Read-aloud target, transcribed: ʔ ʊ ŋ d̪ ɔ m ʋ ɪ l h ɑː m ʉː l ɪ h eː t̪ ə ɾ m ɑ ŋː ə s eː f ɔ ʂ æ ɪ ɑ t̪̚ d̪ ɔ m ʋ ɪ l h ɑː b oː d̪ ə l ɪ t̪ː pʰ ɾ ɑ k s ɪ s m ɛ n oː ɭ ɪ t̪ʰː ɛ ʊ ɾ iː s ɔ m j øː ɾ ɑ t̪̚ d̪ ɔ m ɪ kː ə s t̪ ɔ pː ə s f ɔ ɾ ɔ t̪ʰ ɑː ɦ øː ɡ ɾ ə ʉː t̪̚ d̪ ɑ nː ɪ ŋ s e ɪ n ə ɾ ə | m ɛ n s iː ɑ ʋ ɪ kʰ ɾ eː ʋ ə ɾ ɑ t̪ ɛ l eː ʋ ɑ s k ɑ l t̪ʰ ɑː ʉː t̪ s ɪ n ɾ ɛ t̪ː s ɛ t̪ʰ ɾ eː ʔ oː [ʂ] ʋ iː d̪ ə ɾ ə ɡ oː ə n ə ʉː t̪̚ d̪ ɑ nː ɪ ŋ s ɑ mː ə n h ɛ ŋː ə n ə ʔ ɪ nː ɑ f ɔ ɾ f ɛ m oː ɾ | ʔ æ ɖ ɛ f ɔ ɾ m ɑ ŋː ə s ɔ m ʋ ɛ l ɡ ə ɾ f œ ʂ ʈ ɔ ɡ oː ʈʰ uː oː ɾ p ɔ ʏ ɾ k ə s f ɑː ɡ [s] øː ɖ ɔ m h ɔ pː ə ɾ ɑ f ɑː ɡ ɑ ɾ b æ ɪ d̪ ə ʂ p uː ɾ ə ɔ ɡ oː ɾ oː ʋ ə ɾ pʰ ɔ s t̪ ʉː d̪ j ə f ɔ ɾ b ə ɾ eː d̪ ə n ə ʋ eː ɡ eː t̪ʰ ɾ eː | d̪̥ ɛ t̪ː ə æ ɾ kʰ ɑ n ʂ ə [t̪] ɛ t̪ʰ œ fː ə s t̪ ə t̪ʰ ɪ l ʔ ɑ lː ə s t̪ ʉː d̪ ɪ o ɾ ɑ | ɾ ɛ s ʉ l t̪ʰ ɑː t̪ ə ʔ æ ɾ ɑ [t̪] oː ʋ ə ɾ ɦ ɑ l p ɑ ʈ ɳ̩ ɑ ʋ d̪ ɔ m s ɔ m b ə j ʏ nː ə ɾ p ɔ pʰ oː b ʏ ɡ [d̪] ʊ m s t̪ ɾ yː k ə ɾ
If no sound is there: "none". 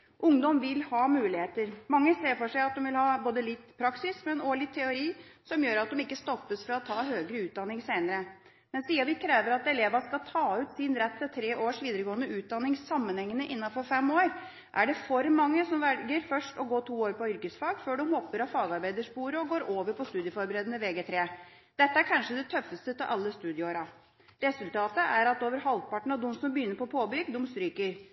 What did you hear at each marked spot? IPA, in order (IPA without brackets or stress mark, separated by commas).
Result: ʂ, f, d̪, t̪, d̪